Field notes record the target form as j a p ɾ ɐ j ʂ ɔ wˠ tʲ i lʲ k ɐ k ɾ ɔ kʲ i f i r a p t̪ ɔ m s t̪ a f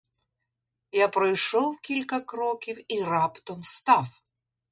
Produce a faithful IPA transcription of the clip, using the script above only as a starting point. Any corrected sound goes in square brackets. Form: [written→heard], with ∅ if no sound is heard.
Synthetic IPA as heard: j a p ɾ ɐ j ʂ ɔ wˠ [tʲ→kʲ] i lʲ k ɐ k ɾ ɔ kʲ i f i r a p t̪ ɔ m s t̪ a f